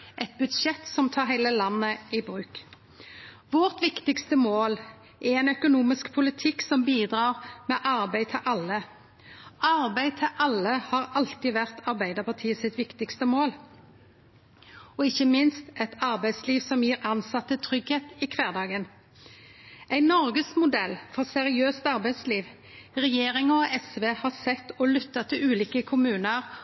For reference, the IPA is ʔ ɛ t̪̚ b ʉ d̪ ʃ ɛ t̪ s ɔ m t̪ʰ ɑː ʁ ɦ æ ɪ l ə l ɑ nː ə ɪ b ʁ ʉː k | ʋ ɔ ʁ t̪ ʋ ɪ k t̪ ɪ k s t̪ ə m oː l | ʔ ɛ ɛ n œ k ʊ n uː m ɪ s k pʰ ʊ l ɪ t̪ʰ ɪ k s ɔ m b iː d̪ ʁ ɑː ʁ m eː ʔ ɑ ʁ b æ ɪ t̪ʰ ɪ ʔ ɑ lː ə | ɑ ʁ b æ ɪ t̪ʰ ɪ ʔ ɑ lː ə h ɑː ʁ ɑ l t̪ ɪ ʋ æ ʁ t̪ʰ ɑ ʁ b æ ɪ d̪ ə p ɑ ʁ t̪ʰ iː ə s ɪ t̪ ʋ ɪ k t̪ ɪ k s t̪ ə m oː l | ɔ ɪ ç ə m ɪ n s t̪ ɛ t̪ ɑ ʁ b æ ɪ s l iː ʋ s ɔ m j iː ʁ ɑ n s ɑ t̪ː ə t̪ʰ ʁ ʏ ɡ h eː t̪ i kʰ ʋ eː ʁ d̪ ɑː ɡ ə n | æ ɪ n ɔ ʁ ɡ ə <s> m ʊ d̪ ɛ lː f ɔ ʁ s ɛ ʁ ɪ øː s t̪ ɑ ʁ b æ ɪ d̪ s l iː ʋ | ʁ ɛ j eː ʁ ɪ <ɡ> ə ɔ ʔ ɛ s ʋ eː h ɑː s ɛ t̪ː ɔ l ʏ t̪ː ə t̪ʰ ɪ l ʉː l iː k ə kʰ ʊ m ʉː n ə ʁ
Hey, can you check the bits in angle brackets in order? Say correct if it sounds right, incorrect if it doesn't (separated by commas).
correct, incorrect